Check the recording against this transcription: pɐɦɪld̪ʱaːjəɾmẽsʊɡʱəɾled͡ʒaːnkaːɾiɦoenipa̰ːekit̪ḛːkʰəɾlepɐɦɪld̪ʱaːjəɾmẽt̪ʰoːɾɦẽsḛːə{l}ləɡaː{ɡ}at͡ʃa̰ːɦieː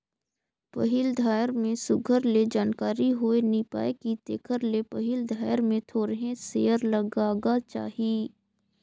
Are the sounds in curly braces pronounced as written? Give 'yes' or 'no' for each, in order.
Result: no, yes

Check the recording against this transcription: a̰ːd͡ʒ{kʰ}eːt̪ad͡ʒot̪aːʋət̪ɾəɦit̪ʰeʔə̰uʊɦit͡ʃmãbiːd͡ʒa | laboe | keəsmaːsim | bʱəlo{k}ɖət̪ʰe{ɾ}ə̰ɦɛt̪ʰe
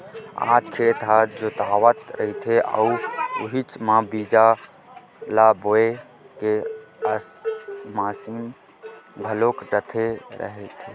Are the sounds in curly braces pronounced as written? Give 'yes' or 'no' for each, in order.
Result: yes, yes, yes

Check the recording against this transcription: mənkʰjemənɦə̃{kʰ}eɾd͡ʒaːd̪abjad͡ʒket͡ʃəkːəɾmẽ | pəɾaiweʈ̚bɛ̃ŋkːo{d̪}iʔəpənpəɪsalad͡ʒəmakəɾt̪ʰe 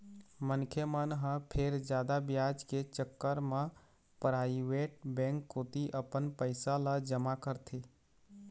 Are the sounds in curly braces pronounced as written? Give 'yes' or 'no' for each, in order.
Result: no, no

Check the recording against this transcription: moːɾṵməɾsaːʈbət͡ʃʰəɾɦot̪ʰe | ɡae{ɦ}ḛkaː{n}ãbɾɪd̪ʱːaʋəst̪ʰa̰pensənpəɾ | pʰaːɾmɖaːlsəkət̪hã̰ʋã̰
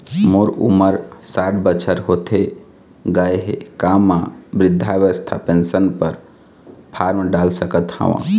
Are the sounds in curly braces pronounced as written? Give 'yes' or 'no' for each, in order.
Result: yes, no

